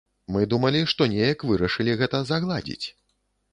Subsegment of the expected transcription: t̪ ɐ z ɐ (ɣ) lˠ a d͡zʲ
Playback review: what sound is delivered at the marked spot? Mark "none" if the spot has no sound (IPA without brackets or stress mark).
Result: ɣ